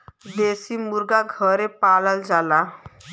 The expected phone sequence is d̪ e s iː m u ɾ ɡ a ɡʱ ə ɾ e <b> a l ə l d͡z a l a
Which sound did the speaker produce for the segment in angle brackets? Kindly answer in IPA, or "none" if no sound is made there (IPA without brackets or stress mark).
p